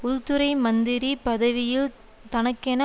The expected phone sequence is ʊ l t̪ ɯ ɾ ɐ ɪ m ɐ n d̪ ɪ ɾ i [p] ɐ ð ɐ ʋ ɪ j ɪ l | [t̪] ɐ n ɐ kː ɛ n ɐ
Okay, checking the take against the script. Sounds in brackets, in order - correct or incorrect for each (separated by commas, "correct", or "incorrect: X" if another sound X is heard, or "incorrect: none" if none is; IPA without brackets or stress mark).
correct, correct